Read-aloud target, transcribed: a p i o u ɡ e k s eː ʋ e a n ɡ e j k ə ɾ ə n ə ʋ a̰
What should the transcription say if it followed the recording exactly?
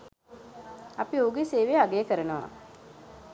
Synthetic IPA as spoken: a p i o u ɡ e s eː ʋ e a ɡ e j k ə ɾ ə n ə ʋ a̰